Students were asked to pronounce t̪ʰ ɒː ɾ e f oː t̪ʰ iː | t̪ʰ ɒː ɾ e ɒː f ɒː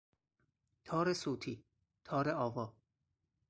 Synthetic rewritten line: t̪ʰ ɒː ɾ e s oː t̪ʰ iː | t̪ʰ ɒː ɾ e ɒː v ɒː